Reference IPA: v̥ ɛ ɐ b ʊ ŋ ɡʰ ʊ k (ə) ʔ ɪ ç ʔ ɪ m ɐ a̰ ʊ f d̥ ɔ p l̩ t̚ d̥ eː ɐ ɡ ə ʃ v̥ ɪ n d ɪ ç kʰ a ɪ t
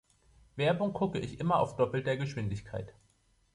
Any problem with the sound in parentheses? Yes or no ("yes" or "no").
no